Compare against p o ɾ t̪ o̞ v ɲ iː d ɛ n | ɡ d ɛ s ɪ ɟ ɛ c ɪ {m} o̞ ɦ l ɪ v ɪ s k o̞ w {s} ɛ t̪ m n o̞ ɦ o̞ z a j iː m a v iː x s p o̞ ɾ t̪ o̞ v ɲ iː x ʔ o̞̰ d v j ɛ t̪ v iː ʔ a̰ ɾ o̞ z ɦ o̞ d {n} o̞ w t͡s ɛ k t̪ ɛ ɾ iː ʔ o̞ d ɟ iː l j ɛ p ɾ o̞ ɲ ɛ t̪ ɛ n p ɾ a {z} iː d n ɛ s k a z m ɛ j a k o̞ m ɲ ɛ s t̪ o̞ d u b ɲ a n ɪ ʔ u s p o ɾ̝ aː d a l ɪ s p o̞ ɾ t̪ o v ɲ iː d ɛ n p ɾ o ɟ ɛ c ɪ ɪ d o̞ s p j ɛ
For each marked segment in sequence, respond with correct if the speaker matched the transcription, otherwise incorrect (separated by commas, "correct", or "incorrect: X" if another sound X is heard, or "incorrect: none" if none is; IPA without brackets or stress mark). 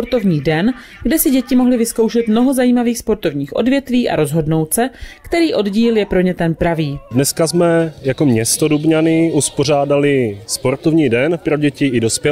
correct, incorrect: ʃ, correct, incorrect: v